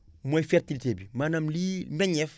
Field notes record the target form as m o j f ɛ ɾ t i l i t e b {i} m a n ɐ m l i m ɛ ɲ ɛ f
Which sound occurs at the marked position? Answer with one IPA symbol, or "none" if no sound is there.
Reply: i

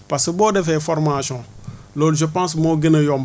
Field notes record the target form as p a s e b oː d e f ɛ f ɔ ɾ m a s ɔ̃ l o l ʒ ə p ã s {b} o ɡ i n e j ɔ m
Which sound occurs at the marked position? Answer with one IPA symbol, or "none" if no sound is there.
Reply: m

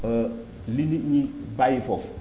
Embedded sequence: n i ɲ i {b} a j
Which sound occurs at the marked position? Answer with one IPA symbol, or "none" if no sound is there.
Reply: b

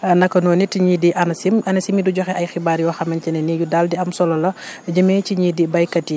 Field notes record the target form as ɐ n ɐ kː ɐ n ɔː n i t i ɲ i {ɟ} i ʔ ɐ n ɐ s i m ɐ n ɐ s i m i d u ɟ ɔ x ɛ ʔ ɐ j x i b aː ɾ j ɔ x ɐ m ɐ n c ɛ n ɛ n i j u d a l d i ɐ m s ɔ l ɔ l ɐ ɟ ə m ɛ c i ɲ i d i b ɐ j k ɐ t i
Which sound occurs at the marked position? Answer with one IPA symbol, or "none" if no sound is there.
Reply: d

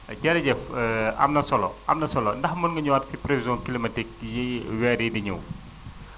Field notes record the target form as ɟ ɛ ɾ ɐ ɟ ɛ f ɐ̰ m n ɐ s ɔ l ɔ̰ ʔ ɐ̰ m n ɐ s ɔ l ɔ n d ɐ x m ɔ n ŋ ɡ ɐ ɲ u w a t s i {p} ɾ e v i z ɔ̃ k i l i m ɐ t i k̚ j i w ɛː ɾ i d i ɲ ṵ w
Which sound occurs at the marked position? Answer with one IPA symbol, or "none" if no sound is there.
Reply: p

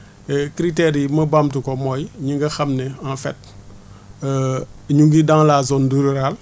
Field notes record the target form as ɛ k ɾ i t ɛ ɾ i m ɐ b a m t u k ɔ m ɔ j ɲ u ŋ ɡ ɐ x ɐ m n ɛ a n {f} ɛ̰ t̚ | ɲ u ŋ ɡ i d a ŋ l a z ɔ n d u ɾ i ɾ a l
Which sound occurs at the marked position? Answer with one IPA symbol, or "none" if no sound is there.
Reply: f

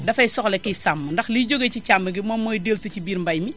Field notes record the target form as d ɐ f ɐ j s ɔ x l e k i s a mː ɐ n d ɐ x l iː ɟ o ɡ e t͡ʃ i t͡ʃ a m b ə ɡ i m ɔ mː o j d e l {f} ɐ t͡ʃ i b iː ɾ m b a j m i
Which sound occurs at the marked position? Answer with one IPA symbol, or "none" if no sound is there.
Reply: s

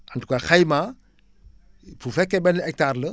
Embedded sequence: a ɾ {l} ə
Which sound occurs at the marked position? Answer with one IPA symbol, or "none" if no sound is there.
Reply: l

